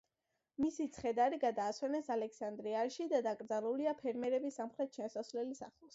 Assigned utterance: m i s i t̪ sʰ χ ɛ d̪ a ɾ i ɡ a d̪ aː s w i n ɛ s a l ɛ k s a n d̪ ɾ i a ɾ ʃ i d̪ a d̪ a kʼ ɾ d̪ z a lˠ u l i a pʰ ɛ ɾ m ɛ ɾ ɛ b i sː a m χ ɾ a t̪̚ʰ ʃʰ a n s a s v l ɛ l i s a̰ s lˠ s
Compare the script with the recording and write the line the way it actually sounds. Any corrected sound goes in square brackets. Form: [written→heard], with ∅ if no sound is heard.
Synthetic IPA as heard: m i s i t̪ sʰ χ ɛ d̪ a ɾ i ɡ a d̪ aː s w [i→ɛ] n ɛ s a l ɛ k s a n d̪ ɾ i a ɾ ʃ i d̪ a d̪ a kʼ ɾ d̪ z a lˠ u l i a pʰ ɛ ɾ m ɛ ɾ ɛ b i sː a m χ ɾ [a→ɛ] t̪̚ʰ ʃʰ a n s a s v l ɛ l i s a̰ [s→χ] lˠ s